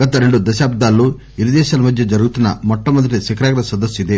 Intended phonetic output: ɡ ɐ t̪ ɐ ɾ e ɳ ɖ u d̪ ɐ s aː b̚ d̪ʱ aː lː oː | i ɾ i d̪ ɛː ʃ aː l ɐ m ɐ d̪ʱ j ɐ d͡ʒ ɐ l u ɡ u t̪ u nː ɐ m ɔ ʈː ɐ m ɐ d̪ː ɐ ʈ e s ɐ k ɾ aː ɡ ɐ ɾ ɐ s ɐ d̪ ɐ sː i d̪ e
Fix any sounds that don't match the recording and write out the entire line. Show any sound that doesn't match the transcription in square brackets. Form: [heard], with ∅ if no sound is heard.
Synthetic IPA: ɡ ɐ t̪ ɐ ɾ e ɳ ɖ u d̪ ɐ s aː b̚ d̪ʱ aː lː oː | i ɾ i d̪ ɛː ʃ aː l ɐ m ɐ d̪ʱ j ɐ d͡ʒ ɐ [ɾ] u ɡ u t̪ u nː ɐ m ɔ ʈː ɐ m ɐ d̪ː ɐ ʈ [i] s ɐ k ɾ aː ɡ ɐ ɾ ɐ s ɐ d̪ ɐ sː i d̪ e